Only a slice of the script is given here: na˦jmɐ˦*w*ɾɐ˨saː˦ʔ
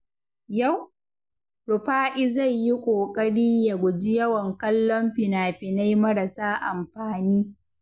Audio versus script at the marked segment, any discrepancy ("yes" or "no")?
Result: yes